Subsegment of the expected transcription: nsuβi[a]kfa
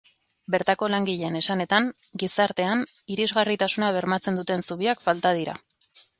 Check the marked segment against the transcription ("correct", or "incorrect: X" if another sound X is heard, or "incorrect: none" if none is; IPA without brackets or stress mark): correct